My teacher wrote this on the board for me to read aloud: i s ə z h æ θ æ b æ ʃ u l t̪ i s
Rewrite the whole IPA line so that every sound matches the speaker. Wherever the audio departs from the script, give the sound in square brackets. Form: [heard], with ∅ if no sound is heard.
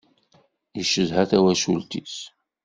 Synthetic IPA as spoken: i [ʃ] ə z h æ θ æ [w] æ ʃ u l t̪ i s